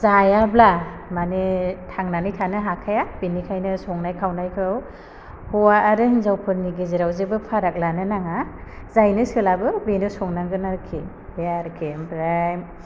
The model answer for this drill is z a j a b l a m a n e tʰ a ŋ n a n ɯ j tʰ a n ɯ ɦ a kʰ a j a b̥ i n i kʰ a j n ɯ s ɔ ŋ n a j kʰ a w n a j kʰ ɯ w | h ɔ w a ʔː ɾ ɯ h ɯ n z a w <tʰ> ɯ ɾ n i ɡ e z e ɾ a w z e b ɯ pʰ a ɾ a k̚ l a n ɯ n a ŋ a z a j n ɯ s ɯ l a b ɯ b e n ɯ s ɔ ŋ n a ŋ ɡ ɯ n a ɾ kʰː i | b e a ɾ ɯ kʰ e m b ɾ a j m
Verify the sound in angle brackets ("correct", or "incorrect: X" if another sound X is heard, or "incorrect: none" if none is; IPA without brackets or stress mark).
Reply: incorrect: pʰ